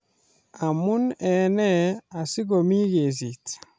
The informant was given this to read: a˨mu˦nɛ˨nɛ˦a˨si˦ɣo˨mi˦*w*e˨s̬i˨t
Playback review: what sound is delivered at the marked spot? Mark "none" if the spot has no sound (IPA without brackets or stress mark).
ɣ